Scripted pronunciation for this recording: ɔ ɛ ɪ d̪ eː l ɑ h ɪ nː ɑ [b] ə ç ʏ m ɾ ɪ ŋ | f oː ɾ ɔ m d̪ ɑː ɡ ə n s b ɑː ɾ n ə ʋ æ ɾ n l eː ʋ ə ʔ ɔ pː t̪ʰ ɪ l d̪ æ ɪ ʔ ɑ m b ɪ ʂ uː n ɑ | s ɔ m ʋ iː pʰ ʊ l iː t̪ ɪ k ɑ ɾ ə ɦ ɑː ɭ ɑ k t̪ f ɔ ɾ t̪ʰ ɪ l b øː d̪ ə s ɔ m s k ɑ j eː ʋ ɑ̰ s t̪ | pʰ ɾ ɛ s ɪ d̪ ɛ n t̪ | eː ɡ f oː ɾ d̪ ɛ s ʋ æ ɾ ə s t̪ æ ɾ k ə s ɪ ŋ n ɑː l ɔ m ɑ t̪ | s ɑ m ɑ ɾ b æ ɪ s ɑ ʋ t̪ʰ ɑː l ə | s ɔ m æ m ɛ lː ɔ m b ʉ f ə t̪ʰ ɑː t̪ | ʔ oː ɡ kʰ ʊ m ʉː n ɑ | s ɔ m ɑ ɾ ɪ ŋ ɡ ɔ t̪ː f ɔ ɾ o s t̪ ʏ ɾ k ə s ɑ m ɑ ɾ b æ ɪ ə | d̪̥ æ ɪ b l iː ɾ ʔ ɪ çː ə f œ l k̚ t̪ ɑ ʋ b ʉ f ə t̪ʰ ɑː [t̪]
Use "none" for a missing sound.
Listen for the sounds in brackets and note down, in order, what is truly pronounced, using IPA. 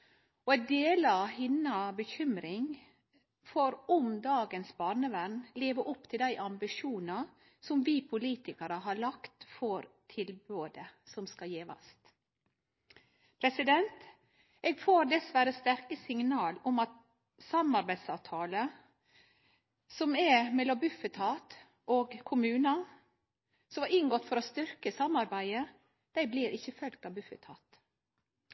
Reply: b, t̪

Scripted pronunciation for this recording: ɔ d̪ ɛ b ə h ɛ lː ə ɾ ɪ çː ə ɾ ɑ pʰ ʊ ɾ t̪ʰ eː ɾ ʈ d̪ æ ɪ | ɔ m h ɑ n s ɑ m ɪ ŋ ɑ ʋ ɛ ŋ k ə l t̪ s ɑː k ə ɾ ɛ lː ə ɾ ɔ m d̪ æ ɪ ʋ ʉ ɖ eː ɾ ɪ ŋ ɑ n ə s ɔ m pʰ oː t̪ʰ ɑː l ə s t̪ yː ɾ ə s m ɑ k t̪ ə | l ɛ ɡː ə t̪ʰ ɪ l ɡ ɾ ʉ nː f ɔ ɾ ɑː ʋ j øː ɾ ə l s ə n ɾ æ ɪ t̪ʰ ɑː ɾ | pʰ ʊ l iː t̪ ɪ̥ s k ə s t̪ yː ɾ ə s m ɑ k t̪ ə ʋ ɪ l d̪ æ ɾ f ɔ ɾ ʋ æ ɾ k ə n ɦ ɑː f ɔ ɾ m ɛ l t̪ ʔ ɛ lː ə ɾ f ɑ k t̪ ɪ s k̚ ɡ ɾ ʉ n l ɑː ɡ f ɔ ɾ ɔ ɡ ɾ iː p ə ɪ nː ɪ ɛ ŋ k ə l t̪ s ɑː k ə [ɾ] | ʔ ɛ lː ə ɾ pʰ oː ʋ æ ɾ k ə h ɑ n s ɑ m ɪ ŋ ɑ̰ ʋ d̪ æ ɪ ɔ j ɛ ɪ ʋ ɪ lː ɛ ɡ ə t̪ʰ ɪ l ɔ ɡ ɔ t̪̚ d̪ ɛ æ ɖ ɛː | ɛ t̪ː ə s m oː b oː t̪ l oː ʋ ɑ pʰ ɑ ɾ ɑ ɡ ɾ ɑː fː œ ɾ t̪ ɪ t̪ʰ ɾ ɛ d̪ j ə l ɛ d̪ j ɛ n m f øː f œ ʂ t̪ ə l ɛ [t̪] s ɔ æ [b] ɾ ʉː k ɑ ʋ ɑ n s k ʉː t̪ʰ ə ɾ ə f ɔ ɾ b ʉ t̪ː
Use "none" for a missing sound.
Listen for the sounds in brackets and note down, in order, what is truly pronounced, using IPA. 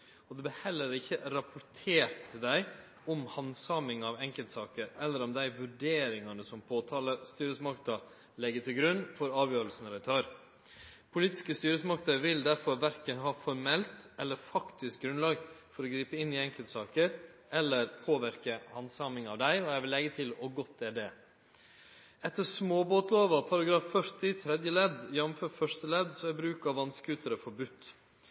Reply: ɾ, d̪, b

